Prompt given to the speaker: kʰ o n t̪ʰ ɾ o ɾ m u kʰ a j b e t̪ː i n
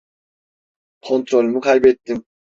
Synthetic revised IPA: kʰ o n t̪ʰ ɾ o l m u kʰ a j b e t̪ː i m